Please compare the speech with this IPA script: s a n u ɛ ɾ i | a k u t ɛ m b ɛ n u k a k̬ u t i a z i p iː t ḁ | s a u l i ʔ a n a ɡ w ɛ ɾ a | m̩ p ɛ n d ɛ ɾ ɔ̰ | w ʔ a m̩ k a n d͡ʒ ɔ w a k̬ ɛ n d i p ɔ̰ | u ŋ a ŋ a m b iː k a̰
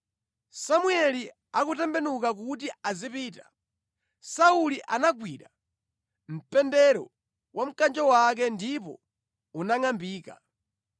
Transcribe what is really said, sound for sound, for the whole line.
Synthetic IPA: s a m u ɛ l i | a k u t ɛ m b ɛ n u k a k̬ u t i a z i p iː t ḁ | s a u l i ʔ a n a ɡ w i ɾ a | m̩ p ɛ n d ɛ ɾ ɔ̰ | w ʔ a m̩ k a n d͡ʒ ɔ w a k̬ ɛ n d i p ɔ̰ | u n a ŋ a m b iː k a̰